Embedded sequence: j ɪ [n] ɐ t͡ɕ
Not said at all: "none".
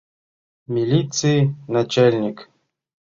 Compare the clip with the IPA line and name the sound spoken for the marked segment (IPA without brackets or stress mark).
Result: n